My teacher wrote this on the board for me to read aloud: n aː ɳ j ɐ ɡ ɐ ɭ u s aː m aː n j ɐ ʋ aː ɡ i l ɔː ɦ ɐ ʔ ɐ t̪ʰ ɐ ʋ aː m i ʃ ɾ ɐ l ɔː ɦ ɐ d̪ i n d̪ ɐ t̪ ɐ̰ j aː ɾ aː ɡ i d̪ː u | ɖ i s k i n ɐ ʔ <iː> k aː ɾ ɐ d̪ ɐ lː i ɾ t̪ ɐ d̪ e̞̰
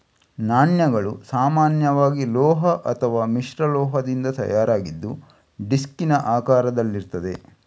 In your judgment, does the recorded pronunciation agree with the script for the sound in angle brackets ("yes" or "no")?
no